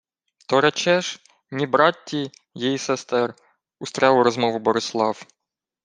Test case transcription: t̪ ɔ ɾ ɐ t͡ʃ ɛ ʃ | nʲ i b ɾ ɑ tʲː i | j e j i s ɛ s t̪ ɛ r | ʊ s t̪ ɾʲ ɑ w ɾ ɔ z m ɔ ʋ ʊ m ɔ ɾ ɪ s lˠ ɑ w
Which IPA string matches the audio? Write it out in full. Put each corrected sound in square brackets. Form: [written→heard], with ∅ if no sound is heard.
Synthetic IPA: t̪ ɔ ɾ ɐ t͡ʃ ɛ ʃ | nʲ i b ɾ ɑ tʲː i | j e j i s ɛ s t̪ ɛ r | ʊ s t̪ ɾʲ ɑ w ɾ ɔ z m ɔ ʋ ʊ [m→b] ɔ ɾ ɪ s lˠ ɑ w

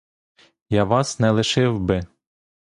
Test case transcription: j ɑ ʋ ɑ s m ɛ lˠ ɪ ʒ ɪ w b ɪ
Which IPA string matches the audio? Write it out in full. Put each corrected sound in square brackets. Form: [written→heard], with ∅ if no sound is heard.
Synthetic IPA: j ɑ ʋ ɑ s [m→n] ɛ lˠ ɪ [ʒ→ʃ] ɪ w b ɪ

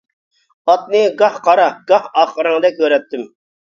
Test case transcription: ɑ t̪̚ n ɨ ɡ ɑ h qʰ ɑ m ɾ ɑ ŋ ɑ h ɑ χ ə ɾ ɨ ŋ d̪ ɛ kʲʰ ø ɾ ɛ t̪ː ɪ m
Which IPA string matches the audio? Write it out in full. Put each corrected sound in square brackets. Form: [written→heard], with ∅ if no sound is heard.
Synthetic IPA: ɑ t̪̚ n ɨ ɡ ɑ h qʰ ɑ [m→∅] ɾ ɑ [ŋ→ɡ] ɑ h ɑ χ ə ɾ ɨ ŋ d̪ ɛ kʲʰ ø ɾ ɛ t̪ː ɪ m

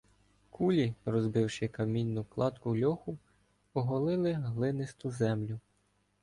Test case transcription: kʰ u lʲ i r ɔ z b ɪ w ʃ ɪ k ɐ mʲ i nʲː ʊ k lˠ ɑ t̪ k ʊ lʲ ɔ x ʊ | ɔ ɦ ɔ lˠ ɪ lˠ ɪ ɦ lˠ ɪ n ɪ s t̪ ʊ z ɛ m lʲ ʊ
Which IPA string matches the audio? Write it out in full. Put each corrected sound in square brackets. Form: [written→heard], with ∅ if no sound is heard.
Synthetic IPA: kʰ u lʲ i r ɔ z b ɪ w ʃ ɪ k ɐ mʲ i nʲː ʊ k lˠ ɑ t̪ k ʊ lʲ ɔ x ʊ | ɔ ɦ ɔ lˠ ɪ lˠ ɪ ɦ lˠ ɪ n ɪ s t̪ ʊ z ɛ m lʲ ʊ

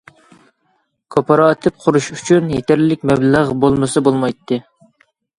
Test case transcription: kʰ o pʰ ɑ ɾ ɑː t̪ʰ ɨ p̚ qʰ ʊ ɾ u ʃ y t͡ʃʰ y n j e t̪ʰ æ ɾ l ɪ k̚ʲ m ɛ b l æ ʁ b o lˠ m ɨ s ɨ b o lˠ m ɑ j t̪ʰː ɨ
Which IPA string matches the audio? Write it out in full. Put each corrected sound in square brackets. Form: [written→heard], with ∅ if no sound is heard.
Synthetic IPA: kʰ o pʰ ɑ ɾ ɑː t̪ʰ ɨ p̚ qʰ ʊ ɾ u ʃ y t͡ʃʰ y n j e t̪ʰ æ ɾ l ɪ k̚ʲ m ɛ b l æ ʁ b o lˠ m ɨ s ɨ b o lˠ m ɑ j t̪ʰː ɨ

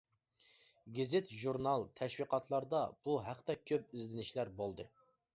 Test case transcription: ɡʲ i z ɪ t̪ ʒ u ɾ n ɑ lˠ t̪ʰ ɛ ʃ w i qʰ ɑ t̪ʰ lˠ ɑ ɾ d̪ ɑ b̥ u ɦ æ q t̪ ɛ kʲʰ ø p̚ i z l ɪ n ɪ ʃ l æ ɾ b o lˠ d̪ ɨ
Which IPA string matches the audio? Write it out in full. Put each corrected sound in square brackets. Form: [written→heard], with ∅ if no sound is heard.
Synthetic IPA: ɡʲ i z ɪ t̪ ʒ u ɾ n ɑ lˠ t̪ʰ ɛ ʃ w i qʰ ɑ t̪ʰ lˠ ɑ ɾ d̪ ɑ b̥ u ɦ æ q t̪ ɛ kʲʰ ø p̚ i z l ɪ n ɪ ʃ l æ ɾ b o lˠ d̪ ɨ

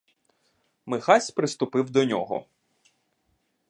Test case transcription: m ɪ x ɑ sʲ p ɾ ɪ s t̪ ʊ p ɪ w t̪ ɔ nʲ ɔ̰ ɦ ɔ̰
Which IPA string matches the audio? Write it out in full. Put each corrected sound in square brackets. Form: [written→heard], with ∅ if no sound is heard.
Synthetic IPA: m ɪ x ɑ sʲ p ɾ ɪ s t̪ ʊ p ɪ w [t̪→d̪] ɔ nʲ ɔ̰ ɦ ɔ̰

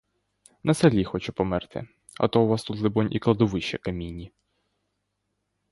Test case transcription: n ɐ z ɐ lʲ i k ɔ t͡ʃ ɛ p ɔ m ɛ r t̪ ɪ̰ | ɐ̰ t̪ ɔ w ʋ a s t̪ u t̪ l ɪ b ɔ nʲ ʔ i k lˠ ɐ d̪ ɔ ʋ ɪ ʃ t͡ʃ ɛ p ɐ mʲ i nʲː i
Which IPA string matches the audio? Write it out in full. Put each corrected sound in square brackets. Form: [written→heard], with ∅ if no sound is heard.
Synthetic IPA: n ɐ [z→s] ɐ lʲ i [k→x] ɔ t͡ʃ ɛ p ɔ m ɛ r t̪ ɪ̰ | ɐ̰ t̪ ɔ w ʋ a s t̪ u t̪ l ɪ b ɔ nʲ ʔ i k lˠ ɐ d̪ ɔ ʋ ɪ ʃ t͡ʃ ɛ [p→k] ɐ mʲ i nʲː i

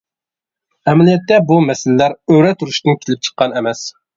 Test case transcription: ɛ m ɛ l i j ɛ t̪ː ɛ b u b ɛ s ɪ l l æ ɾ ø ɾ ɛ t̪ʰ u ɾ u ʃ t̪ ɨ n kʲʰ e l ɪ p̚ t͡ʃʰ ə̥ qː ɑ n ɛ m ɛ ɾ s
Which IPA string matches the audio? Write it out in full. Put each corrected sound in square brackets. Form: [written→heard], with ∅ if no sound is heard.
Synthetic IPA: ɛ m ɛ l i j ɛ t̪ː ɛ b u [b→m] ɛ s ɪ l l æ ɾ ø ɾ ɛ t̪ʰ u ɾ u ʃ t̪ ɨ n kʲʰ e l ɪ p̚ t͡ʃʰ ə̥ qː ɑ n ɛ m ɛ [ɾ→∅] s

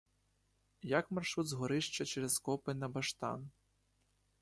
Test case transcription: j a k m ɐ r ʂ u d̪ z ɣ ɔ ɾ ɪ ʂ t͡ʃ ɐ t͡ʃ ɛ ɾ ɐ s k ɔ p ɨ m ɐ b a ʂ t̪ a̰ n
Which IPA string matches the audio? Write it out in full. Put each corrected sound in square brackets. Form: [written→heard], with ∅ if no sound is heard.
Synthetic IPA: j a k m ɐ r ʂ u d̪ z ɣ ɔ ɾ ɪ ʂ t͡ʃ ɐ t͡ʃ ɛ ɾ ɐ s k ɔ p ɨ [m→n] ɐ b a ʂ t̪ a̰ n

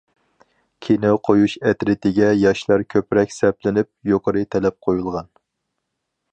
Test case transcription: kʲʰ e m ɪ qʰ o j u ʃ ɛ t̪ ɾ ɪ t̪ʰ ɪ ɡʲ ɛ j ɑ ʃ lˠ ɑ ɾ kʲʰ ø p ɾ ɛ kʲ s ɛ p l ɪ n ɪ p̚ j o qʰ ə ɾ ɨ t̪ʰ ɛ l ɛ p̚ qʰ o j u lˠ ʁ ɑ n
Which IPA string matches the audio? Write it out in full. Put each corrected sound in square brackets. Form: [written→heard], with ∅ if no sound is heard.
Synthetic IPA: kʲʰ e [m→n] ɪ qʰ o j u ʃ ɛ t̪ ɾ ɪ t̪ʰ ɪ ɡʲ ɛ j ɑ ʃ lˠ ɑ ɾ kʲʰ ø p ɾ ɛ kʲ s ɛ p l ɪ n ɪ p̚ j o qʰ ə ɾ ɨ t̪ʰ ɛ l ɛ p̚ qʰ o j u lˠ ʁ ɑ n

